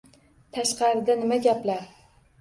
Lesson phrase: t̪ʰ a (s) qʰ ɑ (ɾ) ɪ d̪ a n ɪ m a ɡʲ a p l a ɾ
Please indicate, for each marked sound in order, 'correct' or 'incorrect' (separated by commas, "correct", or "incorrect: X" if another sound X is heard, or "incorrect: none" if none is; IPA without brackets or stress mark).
incorrect: ʃ, correct